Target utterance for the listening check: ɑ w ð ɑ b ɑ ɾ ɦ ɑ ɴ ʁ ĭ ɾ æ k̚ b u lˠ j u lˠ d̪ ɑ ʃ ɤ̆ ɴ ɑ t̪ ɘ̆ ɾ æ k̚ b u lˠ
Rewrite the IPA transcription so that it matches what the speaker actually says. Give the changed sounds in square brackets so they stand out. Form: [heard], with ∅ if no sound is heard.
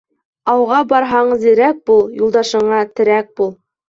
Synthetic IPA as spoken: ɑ w [ʁ] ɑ b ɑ ɾ ɦ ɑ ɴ [z] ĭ ɾ æ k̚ b u lˠ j u lˠ d̪ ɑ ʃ ɤ̆ ɴ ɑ t̪ ɘ̆ ɾ æ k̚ b u lˠ